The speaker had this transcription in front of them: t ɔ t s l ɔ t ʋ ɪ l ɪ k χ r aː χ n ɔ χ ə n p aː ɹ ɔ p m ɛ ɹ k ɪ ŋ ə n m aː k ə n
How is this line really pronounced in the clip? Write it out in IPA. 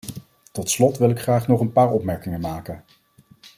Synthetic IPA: t ɔ t s l ɔ t ʋ ɪ l ɪ k χ r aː χ n ɔ χ ə n p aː ɹ ɔ p m ɛ ɹ k ɪ ŋ ə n m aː k ə n